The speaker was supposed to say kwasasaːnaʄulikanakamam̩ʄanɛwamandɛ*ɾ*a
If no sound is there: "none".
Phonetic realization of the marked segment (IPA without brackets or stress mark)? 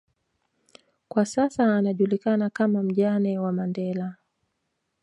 l